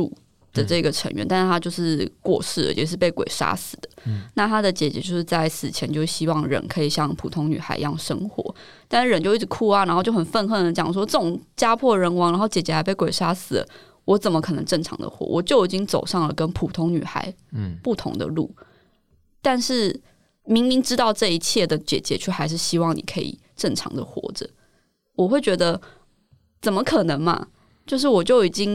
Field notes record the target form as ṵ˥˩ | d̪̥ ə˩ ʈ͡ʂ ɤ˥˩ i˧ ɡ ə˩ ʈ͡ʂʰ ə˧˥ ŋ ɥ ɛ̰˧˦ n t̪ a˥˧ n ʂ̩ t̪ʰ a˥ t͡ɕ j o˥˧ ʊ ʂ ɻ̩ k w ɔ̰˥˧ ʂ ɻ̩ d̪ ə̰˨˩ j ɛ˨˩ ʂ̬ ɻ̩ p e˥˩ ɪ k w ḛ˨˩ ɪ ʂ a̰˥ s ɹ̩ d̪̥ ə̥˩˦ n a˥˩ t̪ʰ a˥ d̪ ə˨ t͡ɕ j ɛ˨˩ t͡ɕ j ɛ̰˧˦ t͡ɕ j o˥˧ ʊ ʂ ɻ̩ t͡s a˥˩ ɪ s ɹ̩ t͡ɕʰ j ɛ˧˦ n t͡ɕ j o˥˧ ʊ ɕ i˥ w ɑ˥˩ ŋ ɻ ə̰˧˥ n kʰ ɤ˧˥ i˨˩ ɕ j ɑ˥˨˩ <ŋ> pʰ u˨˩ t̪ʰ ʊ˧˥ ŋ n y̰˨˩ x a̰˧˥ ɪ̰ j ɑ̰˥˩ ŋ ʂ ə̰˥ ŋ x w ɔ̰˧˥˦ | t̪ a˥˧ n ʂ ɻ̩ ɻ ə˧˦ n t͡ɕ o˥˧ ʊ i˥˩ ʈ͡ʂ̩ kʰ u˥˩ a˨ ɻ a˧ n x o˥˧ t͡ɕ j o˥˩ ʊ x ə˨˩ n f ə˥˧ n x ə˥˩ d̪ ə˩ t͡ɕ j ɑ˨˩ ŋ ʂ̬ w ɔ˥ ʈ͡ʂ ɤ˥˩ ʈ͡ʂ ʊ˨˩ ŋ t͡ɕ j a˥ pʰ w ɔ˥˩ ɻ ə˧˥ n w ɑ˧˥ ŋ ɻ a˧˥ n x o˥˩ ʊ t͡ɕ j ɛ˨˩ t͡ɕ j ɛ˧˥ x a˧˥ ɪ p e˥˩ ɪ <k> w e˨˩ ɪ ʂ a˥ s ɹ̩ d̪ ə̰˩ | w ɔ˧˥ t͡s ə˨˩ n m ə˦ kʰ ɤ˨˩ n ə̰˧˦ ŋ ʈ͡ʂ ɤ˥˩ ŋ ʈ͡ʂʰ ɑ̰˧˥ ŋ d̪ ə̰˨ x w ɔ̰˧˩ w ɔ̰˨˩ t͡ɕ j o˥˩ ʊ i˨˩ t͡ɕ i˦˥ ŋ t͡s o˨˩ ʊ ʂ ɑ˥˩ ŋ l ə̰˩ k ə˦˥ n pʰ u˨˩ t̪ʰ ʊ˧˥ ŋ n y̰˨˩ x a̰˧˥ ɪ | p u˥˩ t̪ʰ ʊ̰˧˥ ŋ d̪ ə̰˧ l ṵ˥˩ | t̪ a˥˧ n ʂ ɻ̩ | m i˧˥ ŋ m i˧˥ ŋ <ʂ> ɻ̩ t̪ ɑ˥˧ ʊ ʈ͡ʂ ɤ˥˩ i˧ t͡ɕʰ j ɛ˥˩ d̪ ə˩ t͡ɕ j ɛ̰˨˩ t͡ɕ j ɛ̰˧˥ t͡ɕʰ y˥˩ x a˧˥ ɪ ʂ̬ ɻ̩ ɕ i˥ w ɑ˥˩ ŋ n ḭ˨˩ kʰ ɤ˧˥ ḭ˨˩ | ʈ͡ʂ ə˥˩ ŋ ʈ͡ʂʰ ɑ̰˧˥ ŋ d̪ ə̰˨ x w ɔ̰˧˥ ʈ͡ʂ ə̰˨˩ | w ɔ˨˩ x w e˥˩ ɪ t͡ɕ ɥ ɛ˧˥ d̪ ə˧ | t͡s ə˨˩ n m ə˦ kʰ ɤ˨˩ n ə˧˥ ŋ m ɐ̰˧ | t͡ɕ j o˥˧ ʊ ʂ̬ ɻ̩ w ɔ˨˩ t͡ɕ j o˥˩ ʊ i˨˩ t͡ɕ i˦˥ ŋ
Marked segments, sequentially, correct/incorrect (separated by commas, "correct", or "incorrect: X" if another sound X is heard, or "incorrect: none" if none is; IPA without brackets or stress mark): correct, correct, incorrect: ʈ͡ʂ